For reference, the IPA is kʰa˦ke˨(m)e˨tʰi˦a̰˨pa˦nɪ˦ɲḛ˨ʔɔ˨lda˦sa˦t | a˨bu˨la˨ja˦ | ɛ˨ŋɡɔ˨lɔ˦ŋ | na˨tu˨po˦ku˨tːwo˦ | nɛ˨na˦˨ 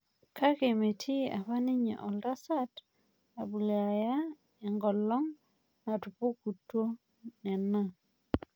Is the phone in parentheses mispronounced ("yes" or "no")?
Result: no